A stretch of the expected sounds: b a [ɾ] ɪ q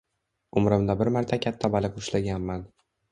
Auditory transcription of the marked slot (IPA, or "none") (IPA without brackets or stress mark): l